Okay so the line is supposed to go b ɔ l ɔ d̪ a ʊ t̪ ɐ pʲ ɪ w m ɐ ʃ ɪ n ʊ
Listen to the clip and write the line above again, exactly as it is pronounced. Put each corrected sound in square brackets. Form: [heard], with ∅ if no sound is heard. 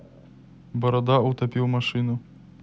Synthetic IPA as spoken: b ɔ [ɾ] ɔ d̪ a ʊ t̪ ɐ pʲ [i] w m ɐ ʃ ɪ n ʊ